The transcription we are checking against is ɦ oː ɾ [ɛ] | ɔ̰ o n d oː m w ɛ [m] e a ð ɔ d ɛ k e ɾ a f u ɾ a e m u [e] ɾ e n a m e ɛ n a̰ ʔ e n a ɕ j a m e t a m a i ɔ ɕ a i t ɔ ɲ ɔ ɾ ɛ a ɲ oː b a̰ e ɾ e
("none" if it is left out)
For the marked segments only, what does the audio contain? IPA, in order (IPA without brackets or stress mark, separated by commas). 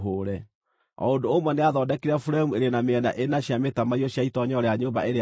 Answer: ɛ, n, e